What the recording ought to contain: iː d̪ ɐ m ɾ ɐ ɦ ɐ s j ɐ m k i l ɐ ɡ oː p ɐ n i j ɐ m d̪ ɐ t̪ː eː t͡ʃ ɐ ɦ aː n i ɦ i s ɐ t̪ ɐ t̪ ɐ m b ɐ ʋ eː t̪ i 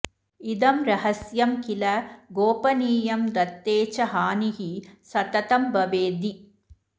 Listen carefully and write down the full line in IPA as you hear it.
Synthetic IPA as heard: i d̪ ɐ m ɾ ɐ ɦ ɐ s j ɐ m k i l ɐ ɡ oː p ɐ n iː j ɐ m d̪ ɐ t̪ː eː t͡ʃ ɐ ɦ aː n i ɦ i s ɐ t̪ ɐ t̪ ɐ m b ɐ ʋ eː d̪ i

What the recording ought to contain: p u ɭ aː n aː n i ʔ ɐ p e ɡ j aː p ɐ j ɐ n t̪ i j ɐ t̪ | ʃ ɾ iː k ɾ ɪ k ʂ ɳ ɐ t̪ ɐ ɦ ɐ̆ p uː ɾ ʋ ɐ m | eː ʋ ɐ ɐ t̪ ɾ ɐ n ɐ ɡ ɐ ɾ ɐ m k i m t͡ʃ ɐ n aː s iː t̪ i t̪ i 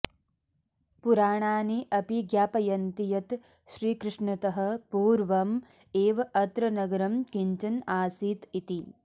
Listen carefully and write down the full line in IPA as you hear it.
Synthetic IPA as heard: p u ɾ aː ɳ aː n i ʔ ɐ p i ɡ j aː p ɐ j ɐ n t̪ i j ɐ t̪ | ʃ ɾ iː k ɾ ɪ ʂ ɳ ɐ t̪ ɐ ɦ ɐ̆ p uː ɾ ʋ ɐ m | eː ʋ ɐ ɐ t̪ ɾ ɐ n ɐ ɡ ɐ ɾ ɐ m k i ɲ t͡ʃ ɐ n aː s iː t̪ i t̪ i

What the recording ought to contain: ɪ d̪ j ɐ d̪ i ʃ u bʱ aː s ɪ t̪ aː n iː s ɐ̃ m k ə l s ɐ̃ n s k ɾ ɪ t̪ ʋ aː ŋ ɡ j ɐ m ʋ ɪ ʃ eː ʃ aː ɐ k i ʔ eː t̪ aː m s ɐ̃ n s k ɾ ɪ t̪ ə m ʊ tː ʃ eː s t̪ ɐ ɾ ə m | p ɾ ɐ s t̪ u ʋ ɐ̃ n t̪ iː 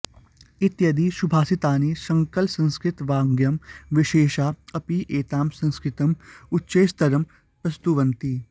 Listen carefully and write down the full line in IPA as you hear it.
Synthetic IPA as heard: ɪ t̪ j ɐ d̪ i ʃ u bʱ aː s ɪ t̪ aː n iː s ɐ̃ ŋ k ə l s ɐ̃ n s k ɾ ɪ t̪ ʋ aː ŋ ɡ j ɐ m ʋ ɪ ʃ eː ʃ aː ɐ p i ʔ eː t̪ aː m s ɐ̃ n s k ɾ ɪ t̪ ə m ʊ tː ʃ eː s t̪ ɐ ɾ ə m | p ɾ ɐ s t̪ u ʋ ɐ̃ n t̪ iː

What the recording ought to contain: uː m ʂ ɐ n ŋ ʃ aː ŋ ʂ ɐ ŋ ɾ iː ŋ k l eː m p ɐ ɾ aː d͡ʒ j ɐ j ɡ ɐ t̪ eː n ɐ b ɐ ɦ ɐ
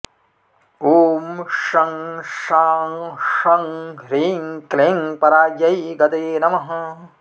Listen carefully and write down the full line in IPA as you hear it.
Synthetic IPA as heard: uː m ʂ ɐ ŋ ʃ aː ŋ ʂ ɐ ŋ ɾ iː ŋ k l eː ŋ p ɐ ɾ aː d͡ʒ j ɐ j ɡ ɐ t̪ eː n ɐ m ɐ ɦ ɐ

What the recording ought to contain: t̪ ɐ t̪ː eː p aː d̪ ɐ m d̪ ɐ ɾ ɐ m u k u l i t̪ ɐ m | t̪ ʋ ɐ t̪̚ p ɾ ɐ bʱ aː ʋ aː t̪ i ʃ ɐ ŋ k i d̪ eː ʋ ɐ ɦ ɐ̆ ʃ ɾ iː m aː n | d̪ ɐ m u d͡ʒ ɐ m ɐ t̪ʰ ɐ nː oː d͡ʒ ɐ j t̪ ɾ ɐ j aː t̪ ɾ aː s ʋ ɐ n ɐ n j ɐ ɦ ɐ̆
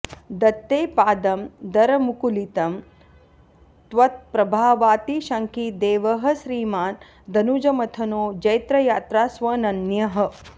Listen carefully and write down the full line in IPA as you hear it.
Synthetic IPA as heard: d̪ ɐ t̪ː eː p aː d̪ ɐ m d̪ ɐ ɾ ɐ m u k u l i t̪ ɐ m | t̪ ʋ ɐ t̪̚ p ɾ ɐ bʱ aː ʋ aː t̪ i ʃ ɐ ŋ k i d̪ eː ʋ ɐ ɦ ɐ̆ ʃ ɾ iː m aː n | d̪ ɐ n u d͡ʒ ɐ m ɐ t̪ʰ ɐ n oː d͡ʒ ɐ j t̪ ɾ ɐ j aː t̪ ɾ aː s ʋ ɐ n ɐ n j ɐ ɦ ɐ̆

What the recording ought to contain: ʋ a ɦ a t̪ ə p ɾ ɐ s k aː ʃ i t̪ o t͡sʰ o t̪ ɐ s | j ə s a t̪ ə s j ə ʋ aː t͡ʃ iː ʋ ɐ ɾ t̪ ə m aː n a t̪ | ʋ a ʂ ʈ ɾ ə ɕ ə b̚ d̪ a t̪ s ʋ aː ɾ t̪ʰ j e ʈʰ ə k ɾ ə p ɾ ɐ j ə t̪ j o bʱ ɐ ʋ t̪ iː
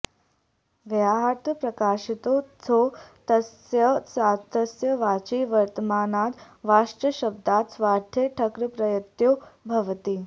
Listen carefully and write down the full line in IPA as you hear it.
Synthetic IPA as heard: ʋ a ɦ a t̪ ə p ɾ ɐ k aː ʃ i t̪ o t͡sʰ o t̪ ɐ s | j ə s a t̪ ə s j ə ʋ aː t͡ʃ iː ʋ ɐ ɾ t̪ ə m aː n a t̪ | ʋ a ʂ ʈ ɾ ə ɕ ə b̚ d̪ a t̪ s ʋ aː ɾ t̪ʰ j e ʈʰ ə k ɾ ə p ɾ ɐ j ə t̪ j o bʱ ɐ ʋ t̪ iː

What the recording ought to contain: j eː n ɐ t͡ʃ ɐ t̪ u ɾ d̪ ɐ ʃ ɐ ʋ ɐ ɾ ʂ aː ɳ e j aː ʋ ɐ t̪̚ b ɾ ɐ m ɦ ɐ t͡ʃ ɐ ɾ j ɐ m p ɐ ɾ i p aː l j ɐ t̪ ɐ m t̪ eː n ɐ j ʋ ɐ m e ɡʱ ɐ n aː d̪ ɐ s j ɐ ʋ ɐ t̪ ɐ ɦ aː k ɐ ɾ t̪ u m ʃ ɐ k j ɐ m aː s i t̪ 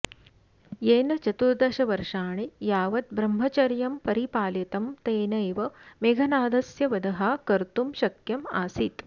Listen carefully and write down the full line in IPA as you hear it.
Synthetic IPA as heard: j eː n ɐ t͡ʃ ɐ t̪ u ɾ d̪ ɐ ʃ ɐ ʋ ɐ ɾ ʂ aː ɳ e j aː ʋ ɐ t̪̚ b ɾ ɐ m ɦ ɐ t͡ʃ ɐ ɾ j ɐ m p ɐ ɾ i p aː l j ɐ t̪ ɐ m t̪ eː n ɐ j ʋ ɐ m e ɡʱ ɐ n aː d̪ ɐ s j ɐ ʋ ɐ d̪ ɐ ɦ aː k ɐ ɾ t̪ u m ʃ ɐ k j ɐ m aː s i t̪

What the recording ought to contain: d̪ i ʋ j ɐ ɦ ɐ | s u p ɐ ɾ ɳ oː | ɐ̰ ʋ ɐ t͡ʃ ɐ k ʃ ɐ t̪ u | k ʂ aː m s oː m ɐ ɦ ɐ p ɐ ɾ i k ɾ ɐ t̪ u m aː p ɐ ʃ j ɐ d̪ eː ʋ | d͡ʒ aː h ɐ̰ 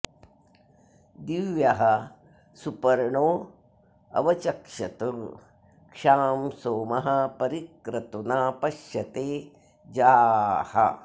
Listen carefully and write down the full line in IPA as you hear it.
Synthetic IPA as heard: d̪ i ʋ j ɐ ɦ ɐ | s u p ɐ ɾ ɳ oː | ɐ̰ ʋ ɐ t͡ʃ ɐ k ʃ ɐ t̪ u | k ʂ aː m s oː m ɐ ɦ ɐ p ɐ ɾ i k ɾ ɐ t̪ u n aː p ɐ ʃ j ɐ t̪ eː | d͡ʒ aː h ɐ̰

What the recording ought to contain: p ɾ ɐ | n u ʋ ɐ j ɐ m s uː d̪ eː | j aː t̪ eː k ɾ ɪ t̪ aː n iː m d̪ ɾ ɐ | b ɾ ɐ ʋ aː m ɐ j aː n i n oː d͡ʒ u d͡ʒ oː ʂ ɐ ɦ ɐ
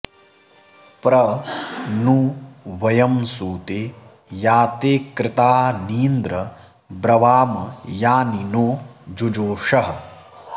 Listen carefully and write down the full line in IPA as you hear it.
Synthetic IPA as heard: p ɾ ɐ | n u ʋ ɐ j ɐ m s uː t̪ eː | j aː t̪ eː k ɾ ɪ t̪ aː n iː n d̪ ɾ ɐ | b ɾ ɐ ʋ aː m ɐ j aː n i n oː d͡ʒ u d͡ʒ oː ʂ ɐ ɦ ɐ

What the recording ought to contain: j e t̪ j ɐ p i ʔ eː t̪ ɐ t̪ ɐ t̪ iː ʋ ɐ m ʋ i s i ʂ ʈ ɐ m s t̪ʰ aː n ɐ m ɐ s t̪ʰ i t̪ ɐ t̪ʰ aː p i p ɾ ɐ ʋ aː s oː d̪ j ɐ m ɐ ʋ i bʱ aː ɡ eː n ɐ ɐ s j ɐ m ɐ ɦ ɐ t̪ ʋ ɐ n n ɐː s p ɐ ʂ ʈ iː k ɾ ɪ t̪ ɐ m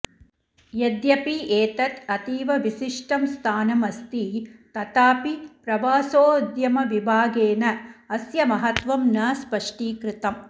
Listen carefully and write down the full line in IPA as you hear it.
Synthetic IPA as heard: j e d̪ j ɐ p i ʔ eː t̪ ɐ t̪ ɐ t̪ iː ʋ ɐ ʋ i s i ʂ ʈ ɐ m s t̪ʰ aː n ɐ m ɐ s t̪ i t̪ ɐ t̪ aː p i p ɾ ɐ ʋ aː s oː d̪ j ɐ m ɐ ʋ i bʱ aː ɡ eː n ɐ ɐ s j ɐ m ɐ ɦ ɐ t̪ ʋ ɐ m n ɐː s p ɐ ʂ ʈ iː k ɾ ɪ t̪ ɐ m

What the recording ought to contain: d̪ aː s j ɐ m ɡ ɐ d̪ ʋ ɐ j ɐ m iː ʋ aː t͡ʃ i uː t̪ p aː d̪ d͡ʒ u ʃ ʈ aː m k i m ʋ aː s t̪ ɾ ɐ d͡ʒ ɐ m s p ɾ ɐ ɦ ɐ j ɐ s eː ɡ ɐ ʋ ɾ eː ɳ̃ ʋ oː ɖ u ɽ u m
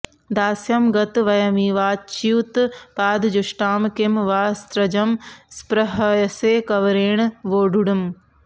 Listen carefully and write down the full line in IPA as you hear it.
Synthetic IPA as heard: d̪ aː s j ɐ m ɡ ɐ t̪ ʋ ɐ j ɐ m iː ʋ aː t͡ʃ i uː t̪ p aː d̪ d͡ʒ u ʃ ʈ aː m k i m ʋ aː s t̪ ɾ ɐ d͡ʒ ɐ m s p ɾ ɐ ɦ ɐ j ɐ s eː k ɐ ʋ ɾ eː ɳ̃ ʋ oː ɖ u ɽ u m

